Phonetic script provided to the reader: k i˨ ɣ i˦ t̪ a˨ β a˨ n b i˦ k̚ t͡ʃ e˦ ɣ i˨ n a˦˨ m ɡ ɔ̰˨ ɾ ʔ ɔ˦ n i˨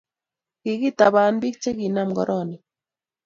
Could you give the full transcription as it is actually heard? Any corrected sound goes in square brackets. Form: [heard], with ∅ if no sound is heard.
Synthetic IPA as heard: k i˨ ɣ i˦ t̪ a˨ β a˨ n b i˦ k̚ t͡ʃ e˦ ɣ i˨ n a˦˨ m ɡ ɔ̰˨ ɾ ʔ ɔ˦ n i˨